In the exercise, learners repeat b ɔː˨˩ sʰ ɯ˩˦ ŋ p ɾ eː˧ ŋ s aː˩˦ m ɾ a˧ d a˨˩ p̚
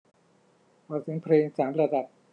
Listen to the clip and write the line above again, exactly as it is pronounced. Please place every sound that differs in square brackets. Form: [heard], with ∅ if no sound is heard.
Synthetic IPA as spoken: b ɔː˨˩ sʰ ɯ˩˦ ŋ [pʰ] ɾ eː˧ ŋ s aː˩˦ m ɾ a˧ d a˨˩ p̚